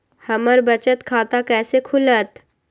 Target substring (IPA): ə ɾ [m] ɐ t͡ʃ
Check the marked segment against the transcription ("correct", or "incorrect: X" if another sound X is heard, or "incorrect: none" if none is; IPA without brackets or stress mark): incorrect: b